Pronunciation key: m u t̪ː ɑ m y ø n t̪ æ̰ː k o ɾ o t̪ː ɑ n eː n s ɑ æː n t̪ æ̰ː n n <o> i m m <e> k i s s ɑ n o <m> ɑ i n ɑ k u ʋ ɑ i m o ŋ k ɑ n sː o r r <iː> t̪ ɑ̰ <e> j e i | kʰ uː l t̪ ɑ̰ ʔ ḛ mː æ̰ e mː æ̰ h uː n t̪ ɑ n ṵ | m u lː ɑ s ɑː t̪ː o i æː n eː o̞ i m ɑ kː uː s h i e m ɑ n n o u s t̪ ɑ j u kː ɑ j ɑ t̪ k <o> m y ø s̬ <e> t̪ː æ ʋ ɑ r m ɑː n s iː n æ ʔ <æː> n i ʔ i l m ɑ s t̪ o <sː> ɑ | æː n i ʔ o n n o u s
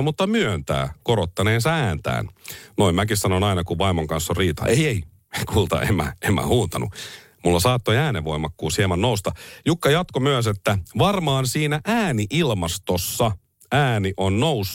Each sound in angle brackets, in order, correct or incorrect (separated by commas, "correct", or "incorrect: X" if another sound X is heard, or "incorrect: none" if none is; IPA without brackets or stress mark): correct, incorrect: æ, incorrect: n, correct, correct, correct, correct, correct, correct